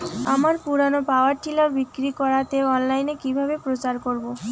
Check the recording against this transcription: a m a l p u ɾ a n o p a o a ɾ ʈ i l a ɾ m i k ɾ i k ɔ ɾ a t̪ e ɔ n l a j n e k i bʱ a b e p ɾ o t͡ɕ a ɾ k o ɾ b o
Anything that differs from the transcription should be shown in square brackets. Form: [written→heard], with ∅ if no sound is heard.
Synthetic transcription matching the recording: a m a [l→ɾ] p u ɾ a n o p a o a ɾ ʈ i l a ɾ [m→b] i k ɾ i k ɔ ɾ a t̪ e ɔ n l a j n e k i bʱ a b e p ɾ o t͡ɕ a ɾ k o ɾ b o